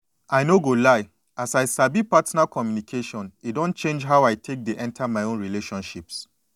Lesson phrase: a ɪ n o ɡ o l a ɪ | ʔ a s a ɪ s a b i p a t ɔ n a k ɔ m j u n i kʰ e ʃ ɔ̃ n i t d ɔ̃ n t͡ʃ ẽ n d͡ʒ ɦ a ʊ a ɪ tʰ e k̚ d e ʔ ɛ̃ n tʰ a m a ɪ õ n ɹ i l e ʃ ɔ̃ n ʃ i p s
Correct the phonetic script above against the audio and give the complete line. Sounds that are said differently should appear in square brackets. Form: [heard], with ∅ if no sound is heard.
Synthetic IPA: a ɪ n o ɡ o l a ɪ | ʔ a s a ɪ s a b i p a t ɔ n a k ɔ m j u n i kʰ e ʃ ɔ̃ n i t d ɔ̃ n t͡ʃ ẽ n d͡ʒ ɦ a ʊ a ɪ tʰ e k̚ d e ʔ ɛ̃ n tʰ a m a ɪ õ n ɹ i l e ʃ ɔ̃ n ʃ i p s